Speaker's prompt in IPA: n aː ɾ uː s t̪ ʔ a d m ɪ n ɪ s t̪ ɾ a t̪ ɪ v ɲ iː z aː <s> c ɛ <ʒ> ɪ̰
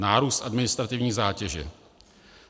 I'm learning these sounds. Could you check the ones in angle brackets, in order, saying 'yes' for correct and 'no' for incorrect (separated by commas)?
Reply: no, yes